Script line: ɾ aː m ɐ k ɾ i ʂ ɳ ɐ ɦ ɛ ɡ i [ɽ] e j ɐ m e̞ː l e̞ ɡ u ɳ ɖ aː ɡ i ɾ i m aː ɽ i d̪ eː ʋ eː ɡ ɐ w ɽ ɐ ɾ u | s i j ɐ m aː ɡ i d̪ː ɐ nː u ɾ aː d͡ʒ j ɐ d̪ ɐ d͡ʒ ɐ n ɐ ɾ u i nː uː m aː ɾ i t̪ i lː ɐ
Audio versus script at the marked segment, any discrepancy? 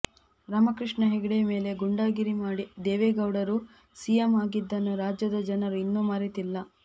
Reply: no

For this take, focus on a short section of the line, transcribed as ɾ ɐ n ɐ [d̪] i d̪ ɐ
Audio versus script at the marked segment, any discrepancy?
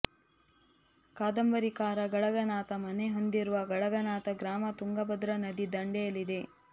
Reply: no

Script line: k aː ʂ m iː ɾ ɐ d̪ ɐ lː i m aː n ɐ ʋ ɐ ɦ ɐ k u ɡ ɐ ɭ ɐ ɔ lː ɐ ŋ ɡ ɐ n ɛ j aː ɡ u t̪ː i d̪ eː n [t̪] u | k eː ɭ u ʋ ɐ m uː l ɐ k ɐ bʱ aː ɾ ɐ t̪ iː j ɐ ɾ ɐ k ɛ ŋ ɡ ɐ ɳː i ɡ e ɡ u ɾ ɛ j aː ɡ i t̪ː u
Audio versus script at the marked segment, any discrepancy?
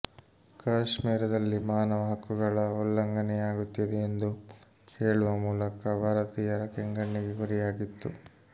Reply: yes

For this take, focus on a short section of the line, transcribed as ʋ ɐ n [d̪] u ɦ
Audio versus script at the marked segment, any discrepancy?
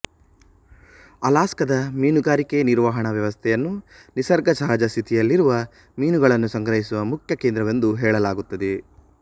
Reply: no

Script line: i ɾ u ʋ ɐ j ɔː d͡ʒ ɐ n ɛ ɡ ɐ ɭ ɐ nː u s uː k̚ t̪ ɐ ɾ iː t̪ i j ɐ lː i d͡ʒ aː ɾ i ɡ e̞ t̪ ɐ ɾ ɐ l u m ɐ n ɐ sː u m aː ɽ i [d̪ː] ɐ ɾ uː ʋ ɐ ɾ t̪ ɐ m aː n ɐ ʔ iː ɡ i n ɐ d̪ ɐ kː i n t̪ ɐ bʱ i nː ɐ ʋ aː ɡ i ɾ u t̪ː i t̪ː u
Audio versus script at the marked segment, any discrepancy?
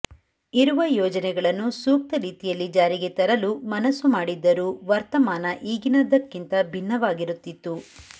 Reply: no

